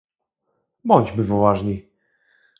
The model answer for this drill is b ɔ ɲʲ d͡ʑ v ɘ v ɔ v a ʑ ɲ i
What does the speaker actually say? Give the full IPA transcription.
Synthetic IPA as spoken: b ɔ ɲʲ d͡ʑ b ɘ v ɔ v a ʐ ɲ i